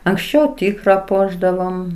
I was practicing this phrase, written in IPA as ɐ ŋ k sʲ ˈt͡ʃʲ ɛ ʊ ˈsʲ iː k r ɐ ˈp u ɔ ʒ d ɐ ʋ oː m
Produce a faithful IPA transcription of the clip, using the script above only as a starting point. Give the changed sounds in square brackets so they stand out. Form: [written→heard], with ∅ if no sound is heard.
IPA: ɐ ŋ k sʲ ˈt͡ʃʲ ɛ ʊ [ˈsʲ→ˈtʲ] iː k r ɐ ˈp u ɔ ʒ d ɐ ʋ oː m